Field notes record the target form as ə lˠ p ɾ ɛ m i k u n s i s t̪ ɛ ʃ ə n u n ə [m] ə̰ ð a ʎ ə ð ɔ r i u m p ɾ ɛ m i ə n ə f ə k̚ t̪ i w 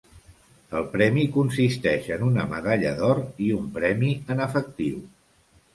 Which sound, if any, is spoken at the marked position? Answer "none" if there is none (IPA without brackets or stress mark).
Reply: m